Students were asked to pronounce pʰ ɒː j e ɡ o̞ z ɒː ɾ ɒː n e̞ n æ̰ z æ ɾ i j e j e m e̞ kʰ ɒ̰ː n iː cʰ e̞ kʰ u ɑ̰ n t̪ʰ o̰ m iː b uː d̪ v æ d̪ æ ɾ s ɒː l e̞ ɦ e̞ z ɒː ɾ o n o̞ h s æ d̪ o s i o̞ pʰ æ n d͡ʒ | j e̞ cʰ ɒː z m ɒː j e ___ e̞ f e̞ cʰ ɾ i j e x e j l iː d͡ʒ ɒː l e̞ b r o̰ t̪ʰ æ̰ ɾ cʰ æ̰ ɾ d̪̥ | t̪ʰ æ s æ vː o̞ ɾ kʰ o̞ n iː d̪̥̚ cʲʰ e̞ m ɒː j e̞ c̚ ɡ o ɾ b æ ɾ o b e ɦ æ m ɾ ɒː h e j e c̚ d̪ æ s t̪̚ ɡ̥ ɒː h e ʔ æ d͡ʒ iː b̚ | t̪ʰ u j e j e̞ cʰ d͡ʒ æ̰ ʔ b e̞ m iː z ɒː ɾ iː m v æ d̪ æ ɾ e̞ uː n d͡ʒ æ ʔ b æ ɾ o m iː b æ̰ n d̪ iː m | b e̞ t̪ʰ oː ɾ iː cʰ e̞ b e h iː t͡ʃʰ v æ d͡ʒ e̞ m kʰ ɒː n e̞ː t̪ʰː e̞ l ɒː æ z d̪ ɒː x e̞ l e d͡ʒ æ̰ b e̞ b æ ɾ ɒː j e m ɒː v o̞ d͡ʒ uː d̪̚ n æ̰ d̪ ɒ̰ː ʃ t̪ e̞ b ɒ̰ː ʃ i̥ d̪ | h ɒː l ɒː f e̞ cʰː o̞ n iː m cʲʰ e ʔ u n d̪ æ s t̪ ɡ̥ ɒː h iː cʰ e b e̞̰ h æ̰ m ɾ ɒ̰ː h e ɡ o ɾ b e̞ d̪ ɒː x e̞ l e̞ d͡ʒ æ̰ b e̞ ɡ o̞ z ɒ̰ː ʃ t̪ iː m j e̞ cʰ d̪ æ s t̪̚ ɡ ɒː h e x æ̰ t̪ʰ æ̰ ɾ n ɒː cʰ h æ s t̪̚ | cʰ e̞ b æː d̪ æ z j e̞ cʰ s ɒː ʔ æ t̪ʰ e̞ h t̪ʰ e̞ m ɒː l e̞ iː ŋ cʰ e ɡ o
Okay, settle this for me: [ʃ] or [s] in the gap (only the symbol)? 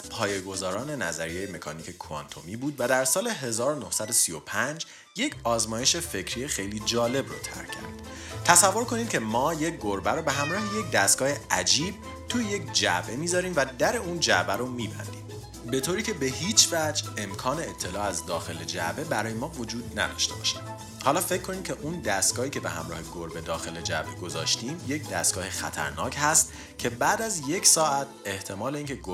ʃ